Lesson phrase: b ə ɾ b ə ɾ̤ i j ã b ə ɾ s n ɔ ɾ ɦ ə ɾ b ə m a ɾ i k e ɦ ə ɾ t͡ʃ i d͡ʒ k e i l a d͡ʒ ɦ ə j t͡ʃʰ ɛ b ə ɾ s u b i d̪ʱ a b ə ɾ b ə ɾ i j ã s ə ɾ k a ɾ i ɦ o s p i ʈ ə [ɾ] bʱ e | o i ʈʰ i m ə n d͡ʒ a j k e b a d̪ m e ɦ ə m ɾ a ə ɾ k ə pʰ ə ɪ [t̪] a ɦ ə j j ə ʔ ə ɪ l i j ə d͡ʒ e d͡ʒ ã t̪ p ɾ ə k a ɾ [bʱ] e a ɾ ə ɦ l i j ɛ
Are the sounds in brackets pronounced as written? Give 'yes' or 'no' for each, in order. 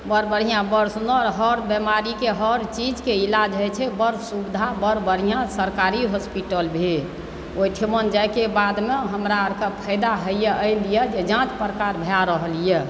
no, no, yes

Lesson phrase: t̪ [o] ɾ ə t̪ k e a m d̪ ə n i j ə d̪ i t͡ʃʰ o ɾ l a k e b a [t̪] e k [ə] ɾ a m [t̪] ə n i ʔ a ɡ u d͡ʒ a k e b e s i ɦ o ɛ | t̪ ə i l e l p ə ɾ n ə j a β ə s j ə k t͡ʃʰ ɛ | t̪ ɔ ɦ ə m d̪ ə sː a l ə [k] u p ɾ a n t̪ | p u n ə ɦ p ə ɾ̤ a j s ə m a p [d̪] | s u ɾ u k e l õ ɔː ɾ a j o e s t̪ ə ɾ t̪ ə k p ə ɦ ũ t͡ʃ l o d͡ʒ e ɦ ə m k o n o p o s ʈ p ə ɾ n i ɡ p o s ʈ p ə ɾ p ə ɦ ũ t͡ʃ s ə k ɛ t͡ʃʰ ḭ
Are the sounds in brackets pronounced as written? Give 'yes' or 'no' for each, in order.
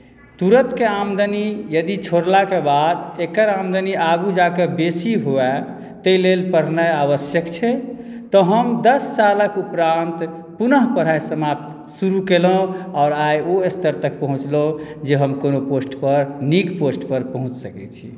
no, no, yes, no, yes, no

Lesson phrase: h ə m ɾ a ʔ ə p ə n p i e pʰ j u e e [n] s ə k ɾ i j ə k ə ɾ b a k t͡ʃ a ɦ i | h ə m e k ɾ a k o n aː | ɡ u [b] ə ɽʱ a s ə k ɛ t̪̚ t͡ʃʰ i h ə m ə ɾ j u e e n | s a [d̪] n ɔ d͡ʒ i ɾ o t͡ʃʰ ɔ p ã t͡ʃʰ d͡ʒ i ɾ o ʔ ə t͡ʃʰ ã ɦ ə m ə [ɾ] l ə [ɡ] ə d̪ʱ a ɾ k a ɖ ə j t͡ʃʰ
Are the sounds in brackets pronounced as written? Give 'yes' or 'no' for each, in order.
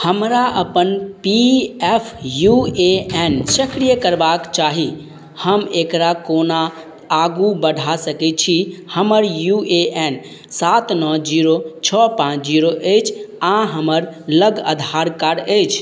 yes, yes, no, yes, yes

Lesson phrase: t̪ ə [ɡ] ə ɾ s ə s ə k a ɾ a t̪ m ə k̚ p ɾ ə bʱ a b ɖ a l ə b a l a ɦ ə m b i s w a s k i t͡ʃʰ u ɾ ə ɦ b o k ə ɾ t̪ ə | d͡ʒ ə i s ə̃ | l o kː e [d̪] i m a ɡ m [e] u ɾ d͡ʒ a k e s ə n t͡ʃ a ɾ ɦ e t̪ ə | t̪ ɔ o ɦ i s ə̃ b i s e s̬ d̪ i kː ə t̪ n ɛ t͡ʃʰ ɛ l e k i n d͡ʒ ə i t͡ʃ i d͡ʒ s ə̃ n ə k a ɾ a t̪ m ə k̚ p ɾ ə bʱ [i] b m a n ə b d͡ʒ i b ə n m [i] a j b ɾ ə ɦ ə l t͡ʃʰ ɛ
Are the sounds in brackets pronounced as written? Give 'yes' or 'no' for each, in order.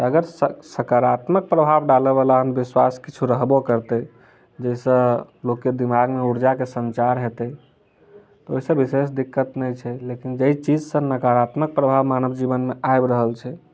yes, yes, yes, no, no

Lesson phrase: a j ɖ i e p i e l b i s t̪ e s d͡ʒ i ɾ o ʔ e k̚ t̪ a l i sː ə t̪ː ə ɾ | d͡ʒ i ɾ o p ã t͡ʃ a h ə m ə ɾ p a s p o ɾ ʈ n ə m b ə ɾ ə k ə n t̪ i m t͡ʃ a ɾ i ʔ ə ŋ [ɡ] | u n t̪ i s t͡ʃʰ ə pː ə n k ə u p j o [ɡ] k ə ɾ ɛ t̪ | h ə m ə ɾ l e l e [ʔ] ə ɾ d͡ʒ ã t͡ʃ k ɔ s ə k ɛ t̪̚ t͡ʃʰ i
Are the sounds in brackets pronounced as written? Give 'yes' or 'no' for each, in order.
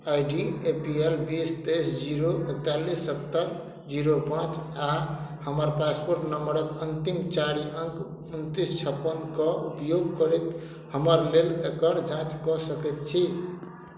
no, yes, no

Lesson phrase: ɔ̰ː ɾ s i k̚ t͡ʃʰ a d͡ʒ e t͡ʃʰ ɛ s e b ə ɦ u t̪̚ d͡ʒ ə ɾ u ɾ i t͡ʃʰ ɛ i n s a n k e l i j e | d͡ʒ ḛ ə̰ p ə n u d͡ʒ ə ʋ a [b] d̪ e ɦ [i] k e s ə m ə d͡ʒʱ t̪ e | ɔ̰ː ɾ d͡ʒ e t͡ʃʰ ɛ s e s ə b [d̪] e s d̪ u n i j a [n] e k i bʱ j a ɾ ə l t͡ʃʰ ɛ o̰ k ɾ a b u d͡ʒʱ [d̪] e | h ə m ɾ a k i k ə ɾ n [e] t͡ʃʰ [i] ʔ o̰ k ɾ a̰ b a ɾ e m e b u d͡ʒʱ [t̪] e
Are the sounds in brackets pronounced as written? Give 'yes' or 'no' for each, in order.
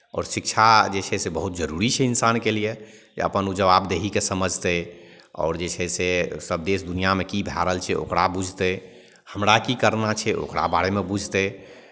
yes, yes, yes, no, no, no, no, yes

